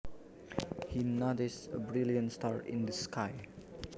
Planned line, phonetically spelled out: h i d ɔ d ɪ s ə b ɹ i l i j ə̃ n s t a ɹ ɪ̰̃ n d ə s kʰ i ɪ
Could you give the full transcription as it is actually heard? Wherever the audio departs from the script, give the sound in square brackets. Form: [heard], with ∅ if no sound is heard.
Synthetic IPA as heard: h i [n] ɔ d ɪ s ə b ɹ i l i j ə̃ n s t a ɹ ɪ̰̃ n d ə s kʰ [a] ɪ

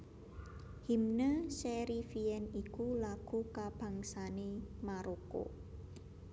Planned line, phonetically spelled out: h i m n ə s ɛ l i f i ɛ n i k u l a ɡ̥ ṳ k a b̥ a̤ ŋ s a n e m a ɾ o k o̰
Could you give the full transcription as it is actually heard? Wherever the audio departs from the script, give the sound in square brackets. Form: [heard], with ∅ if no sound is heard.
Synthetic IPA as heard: h i m n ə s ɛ [ɾ] i f i ɛ n i k u l a ɡ̥ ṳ k a b̥ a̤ ŋ s a n e m a ɾ o k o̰

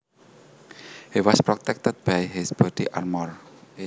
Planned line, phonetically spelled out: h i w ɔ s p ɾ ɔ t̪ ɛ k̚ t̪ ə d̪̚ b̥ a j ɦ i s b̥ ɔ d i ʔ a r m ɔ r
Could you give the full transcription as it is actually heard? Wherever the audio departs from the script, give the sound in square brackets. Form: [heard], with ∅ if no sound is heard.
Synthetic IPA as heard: h i w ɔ s p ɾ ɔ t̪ ɛ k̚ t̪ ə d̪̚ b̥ a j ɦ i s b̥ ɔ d i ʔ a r m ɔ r

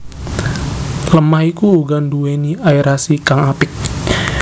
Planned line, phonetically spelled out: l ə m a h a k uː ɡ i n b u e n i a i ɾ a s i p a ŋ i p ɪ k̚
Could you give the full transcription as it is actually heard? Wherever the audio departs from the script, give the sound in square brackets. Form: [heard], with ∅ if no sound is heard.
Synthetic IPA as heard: l ə m a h [i] k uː ɡ [a] n [d] u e n i a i ɾ a s i [k] a ŋ [a] p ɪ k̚

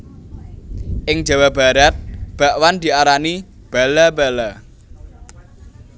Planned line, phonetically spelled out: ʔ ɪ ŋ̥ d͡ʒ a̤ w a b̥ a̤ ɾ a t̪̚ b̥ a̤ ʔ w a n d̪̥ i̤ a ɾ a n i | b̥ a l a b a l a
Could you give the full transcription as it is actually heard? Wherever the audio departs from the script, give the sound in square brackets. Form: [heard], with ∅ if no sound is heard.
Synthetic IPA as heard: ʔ ɪ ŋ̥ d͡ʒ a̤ w a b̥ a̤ ɾ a t̪̚ b̥ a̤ ʔ w a n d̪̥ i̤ a ɾ a n i | b̥ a l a b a l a

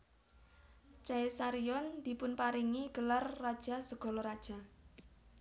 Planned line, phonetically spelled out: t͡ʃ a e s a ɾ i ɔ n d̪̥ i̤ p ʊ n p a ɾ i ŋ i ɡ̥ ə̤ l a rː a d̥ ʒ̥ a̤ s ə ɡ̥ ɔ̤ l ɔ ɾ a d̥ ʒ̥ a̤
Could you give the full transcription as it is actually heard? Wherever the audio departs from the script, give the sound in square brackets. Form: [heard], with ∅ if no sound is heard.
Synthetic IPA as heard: t͡ʃ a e s a ɾ i ɔ n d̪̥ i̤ p ʊ n p a ɾ i ŋ i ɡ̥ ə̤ l a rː a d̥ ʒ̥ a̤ s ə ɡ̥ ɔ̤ l ɔ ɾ a d̥ ʒ̥ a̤

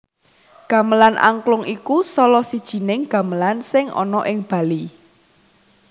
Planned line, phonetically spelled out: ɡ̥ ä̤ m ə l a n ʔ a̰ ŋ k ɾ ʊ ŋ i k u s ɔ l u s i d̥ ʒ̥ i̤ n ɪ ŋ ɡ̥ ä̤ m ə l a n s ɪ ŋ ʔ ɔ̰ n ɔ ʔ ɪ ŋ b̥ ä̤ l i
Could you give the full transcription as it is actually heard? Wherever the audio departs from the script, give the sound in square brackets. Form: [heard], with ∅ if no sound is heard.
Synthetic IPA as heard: ɡ̥ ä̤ m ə l a n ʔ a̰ ŋ k [l] ʊ ŋ i k u s ɔ l [ɔ] s i d̥ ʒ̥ i̤ n ɪ ŋ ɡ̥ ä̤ m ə l a n s ɪ ŋ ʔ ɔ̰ n ɔ ʔ ɪ ŋ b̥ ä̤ l i

